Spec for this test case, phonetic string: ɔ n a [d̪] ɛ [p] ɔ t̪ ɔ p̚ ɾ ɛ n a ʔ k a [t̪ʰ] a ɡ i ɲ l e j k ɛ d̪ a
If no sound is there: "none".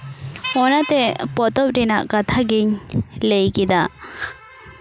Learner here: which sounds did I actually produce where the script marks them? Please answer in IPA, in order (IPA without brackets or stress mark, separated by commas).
t̪, p, t̪ʰ